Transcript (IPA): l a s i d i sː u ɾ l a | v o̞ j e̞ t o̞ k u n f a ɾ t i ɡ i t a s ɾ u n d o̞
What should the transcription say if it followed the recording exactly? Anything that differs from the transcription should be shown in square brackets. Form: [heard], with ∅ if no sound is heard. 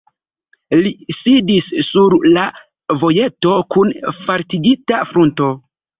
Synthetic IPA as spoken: l [i] s i d i sː u ɾ l a | v o̞ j e̞ t o̞ k u n f a ɾ t i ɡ i t a [f] ɾ u n [t] o̞